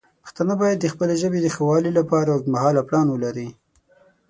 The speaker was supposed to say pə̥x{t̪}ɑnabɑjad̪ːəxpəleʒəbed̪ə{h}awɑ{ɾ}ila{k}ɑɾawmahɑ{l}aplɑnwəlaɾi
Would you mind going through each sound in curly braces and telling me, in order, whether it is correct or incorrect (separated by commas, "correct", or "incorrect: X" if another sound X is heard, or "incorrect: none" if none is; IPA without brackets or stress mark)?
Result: correct, incorrect: x, incorrect: l, incorrect: p, correct